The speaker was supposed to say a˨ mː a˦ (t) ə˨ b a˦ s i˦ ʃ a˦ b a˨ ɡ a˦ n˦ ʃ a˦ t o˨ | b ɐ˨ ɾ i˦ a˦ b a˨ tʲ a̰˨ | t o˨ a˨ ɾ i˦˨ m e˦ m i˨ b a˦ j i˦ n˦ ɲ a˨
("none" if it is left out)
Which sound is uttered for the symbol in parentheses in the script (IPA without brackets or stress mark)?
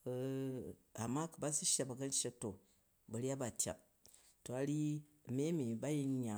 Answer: k